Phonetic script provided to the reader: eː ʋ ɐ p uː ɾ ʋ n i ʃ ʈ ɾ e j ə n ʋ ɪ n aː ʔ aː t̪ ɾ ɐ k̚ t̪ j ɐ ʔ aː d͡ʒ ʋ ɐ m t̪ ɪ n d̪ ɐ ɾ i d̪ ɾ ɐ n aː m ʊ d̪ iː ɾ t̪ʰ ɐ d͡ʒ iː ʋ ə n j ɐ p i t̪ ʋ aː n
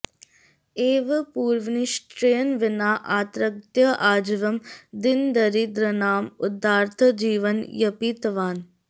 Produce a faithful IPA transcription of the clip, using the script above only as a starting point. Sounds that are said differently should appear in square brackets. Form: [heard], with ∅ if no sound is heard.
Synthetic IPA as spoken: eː ʋ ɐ p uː ɾ ʋ n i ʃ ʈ ɾ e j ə n ʋ ɪ n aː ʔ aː t̪ ɾ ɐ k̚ t̪ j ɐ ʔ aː d͡ʒ ʋ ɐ m [d̪] ɪ n d̪ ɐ ɾ i d̪ ɾ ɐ n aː m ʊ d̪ [aː] ɾ t̪ʰ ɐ d͡ʒ iː ʋ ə n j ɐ p i t̪ ʋ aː n